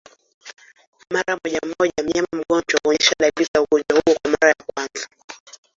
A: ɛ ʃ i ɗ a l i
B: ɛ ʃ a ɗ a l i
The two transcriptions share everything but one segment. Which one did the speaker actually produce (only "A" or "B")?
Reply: B